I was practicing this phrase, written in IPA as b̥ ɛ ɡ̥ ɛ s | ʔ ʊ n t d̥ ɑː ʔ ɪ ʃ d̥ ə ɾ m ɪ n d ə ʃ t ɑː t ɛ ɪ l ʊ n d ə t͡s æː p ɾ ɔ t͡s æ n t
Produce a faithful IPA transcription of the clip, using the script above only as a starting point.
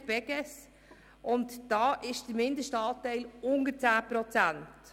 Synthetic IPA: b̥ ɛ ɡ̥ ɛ s | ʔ ʊ n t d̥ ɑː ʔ ɪ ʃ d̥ ə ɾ m ɪ n d ə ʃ t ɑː t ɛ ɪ l ʊ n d ə t͡s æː p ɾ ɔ t͡s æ n t